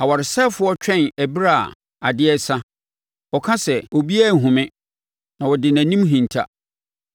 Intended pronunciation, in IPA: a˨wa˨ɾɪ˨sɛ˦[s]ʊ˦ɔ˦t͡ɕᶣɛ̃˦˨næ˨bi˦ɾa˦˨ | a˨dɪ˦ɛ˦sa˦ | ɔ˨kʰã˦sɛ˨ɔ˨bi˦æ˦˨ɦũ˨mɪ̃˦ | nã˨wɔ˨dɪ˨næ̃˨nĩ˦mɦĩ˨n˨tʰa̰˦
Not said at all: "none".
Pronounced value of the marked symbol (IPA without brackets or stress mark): f